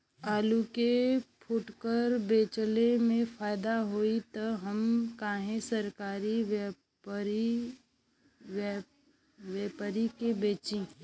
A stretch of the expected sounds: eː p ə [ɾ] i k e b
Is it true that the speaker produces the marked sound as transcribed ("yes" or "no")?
yes